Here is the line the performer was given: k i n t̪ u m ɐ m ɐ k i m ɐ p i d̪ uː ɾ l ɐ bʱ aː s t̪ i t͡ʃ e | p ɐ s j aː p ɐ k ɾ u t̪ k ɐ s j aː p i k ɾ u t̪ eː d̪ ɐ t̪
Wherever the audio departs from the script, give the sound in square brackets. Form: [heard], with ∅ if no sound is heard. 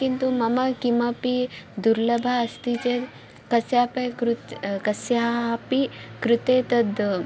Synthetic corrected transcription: k i n t̪ u m ɐ m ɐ k i m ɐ p i d̪ [u] ɾ l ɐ bʱ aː s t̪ i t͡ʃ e | [k] ɐ s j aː p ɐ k ɾ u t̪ k ɐ s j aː p i k ɾ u t̪ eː [t̪] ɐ [d̪]